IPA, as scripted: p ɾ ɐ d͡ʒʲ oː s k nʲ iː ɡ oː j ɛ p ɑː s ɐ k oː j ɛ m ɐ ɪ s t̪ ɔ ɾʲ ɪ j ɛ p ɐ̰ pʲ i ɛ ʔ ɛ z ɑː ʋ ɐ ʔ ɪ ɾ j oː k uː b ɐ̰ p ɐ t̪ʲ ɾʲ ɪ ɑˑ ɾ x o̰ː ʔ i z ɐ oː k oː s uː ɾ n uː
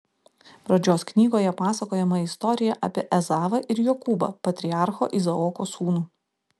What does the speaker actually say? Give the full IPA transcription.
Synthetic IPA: p ɾ ɐ d͡ʒʲ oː s k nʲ iː ɡ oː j ɛ p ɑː s ɐ k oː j ɛ m ɐ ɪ s t̪ ɔ ɾʲ ɪ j ɛ ʔ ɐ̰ pʲ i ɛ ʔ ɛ z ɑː ʋ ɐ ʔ ɪ ɾ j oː k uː b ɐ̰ p ɐ t̪ʲ ɾʲ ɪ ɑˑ ɾ x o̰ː ʔ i z ɐ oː k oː s uː n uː